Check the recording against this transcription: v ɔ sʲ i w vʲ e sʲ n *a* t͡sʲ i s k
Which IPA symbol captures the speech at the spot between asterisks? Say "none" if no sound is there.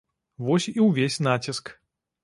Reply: a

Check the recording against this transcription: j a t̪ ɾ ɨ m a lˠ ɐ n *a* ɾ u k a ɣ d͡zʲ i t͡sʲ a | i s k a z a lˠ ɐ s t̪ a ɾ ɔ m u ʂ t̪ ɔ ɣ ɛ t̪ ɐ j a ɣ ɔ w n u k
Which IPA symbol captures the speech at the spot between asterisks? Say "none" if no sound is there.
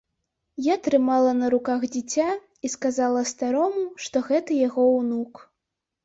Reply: ɐ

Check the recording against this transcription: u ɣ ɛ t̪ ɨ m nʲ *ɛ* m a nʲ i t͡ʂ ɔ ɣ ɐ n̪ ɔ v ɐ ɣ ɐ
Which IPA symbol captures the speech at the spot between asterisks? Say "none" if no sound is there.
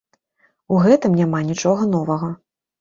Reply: a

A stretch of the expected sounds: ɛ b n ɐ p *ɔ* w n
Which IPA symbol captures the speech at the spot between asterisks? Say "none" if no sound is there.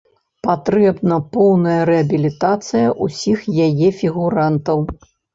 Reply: ɔ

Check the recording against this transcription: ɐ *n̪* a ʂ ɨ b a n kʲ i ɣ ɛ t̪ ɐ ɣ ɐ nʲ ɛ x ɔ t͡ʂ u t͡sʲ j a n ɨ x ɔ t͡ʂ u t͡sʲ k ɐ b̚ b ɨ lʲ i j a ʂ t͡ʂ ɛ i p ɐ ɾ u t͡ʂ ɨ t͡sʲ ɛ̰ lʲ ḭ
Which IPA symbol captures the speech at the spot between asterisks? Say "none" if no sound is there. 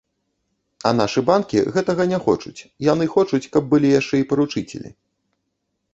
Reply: n̪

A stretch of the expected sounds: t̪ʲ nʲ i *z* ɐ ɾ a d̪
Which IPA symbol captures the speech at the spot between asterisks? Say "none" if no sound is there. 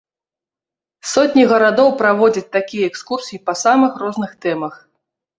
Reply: ɣ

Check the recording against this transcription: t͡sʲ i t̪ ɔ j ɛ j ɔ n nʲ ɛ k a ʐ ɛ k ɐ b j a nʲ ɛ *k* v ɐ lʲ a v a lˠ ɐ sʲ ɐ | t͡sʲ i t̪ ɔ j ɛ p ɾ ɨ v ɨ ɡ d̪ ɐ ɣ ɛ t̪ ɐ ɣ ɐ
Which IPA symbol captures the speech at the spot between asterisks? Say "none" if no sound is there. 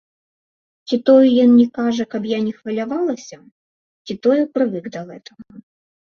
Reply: x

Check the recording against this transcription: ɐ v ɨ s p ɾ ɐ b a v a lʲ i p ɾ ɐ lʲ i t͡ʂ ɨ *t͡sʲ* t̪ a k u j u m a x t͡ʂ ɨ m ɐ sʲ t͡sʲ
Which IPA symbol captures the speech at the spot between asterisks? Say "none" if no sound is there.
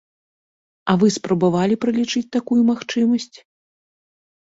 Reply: t͡sʲ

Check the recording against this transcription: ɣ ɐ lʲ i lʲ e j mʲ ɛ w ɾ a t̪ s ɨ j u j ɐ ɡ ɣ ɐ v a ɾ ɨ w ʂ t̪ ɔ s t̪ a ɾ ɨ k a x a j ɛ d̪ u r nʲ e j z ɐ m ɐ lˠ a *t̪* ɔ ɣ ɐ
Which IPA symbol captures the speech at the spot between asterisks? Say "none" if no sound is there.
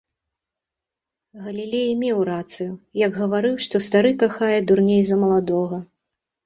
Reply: d̪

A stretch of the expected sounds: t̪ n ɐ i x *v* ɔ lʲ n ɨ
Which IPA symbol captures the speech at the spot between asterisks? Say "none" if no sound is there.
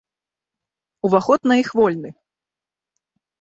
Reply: v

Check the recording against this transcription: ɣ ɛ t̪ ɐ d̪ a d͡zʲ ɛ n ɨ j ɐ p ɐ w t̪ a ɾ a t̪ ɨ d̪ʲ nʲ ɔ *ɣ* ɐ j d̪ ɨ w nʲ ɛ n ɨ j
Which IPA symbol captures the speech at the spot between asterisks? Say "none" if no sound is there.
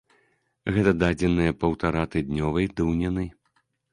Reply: v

